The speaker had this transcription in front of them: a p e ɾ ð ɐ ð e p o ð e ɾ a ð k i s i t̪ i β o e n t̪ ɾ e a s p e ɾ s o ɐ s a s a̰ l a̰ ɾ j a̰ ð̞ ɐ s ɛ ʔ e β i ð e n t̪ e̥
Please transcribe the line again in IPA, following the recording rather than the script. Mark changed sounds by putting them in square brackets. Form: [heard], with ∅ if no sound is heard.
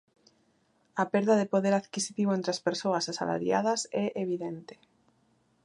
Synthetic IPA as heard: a p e ɾ ð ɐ ð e p o ð e ɾ a ð k i s i t̪ i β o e n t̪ ɾ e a s p e ɾ s o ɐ s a s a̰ l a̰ ɾ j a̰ ð̞ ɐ s ɛ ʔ e β i ð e n t̪ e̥